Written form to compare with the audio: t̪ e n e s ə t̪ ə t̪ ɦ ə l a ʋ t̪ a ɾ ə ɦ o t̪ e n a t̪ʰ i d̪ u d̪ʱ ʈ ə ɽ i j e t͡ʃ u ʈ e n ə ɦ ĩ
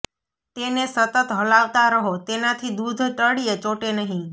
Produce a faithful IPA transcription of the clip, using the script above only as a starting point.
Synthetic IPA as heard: t̪ e n e s ə t̪ ə t̪ ɦ ə l a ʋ t̪ a ɾ ə ɦ o t̪ e n a t̪ʰ i d̪ u d̪ʱ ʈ ə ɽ i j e t͡ʃ o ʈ e n ə ɦ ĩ